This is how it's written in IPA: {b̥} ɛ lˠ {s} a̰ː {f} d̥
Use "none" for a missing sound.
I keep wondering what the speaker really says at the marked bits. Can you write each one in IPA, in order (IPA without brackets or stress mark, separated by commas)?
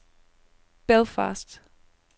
b̥, f, s